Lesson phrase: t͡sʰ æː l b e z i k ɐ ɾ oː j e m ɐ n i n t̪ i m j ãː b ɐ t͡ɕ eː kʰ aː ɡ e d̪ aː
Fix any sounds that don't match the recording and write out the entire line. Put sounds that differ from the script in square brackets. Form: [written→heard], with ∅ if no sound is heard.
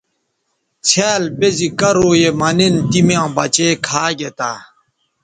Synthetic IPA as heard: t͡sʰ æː l b e z i k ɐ ɾ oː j e m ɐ n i n t̪ i m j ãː b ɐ t͡ɕ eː kʰ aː ɡ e [d̪→t̪] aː